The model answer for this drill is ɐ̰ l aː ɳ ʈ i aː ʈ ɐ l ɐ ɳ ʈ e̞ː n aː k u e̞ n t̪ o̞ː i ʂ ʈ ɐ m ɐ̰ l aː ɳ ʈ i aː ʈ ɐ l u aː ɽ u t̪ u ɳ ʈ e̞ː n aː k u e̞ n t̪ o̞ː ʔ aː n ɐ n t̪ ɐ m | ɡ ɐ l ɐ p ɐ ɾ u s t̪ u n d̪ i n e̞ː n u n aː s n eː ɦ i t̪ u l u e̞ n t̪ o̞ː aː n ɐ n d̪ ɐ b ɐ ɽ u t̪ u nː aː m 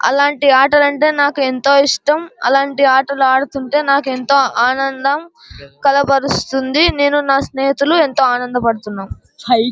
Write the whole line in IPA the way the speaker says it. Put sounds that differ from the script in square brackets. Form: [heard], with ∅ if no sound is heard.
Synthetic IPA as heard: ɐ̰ l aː ɳ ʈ i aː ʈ ɐ l ɐ ɳ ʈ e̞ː n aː k u e̞ n t̪ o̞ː i ʂ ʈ ɐ m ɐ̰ l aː ɳ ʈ i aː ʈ ɐ l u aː ɽ u t̪ u ɳ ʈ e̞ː n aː k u e̞ n t̪ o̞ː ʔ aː n ɐ n [d̪] ɐ m | [k] ɐ l ɐ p ɐ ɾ u s t̪ u n d̪ i n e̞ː n u n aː s n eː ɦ i t̪ u l u e̞ n t̪ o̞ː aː n ɐ n d̪ ɐ [p] ɐ ɽ u t̪ u nː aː m